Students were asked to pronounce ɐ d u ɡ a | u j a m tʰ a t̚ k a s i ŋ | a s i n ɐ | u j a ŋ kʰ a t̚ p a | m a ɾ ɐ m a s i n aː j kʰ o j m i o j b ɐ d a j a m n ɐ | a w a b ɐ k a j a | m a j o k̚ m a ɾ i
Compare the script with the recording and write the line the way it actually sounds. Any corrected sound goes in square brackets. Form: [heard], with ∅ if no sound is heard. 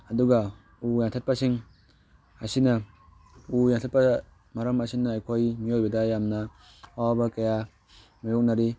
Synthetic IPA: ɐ d u ɡ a | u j a [ŋ] tʰ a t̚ [p] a s i ŋ | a s i n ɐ | u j a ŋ [tʰ] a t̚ p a | m a ɾ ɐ m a s i n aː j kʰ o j m i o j b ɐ d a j a m n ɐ | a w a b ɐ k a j a | m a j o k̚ [n] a ɾ i